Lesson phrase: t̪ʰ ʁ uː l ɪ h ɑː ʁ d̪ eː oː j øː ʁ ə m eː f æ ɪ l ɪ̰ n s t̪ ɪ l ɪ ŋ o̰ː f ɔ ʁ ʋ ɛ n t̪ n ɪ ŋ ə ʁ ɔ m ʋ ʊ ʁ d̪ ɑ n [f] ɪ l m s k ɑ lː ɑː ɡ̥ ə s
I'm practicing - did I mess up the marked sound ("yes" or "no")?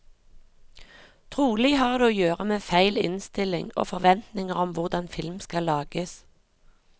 no